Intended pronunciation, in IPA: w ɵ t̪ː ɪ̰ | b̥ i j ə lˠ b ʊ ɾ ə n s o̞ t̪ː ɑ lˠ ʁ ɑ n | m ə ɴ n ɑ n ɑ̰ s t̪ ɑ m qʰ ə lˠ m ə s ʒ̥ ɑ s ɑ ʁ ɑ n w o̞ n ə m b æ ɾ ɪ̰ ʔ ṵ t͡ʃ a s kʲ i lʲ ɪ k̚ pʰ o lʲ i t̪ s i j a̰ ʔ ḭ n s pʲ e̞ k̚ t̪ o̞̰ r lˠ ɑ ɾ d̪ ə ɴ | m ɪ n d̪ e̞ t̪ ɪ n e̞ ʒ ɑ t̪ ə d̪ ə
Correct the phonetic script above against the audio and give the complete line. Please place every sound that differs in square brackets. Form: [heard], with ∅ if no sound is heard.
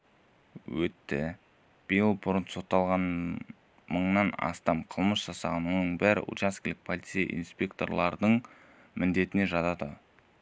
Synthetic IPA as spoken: w ɵ t̪ː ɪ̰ | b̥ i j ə lˠ b ʊ ɾ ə n s o̞ t̪ː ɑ lˠ ʁ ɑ n | m ə ɴ n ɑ n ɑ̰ s t̪ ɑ m qʰ ə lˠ m ə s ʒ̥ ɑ s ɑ ʁ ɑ n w o̞ n ə [ɴ] b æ ɾ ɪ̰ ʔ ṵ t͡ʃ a s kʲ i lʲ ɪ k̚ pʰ o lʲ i t̪ s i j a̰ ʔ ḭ n s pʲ e̞ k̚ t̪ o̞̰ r lˠ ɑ ɾ d̪ ə ɴ | m ɪ n d̪ e̞ t̪ ɪ n e̞ ʒ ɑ t̪ [ɑ] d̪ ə